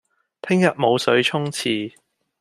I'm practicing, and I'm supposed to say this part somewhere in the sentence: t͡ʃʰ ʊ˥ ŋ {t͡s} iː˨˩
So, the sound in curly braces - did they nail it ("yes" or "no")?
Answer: no